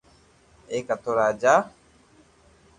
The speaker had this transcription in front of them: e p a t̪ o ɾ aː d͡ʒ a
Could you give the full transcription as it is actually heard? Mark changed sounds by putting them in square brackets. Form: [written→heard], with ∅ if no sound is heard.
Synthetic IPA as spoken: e [p→k] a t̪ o ɾ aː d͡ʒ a